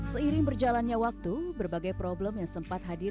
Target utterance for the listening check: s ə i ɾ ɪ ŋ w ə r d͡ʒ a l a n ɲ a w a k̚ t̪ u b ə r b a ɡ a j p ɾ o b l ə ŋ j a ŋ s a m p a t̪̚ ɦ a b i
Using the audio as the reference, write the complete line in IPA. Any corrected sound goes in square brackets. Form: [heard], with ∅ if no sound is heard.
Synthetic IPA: s ə i ɾ ɪ ŋ [b] ə r d͡ʒ a l a n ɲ a w a k̚ t̪ u b ə r b a ɡ a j p ɾ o b l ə [m] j a ŋ s [ə] m p a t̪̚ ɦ a [d] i